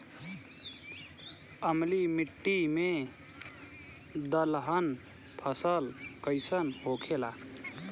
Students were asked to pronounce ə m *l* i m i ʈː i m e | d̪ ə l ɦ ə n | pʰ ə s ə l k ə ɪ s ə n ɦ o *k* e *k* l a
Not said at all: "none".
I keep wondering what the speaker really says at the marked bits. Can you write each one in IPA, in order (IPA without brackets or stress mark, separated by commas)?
l, kʰ, none